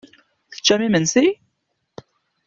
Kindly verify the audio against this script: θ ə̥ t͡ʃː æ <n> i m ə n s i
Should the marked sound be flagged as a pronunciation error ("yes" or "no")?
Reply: yes